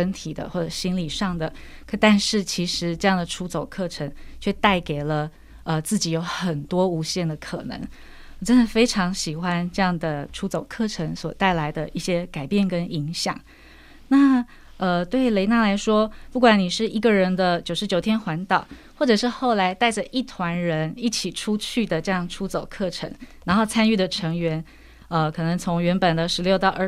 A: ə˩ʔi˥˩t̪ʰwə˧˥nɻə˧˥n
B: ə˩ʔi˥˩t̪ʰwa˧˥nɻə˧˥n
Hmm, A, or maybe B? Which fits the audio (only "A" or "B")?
B